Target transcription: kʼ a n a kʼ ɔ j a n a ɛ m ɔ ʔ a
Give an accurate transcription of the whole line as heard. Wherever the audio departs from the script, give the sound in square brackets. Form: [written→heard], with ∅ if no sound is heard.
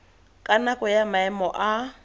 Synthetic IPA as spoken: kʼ a n a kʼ ɔ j a [n→m] a ɛ m ɔ ʔ a